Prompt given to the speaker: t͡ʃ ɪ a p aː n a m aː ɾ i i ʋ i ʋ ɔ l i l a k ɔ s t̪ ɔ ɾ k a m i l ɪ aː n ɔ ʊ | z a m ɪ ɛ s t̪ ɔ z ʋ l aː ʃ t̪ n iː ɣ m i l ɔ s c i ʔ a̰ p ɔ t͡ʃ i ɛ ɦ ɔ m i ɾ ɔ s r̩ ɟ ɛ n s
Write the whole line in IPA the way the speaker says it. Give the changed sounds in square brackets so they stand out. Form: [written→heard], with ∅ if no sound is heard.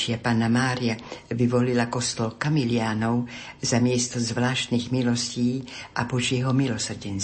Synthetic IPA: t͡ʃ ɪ a p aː n a m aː ɾ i [i→a] ʋ i ʋ ɔ l i l a k ɔ s t̪ ɔ [ɾ→l] k a m i l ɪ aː n ɔ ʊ | z a m ɪ ɛ s t̪ ɔ z ʋ l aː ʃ t̪ n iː ɣ m i l ɔ s c [i→iː] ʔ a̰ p ɔ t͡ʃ [i→j] ɛ ɦ ɔ m i [ɾ→l] ɔ s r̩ ɟ ɛ n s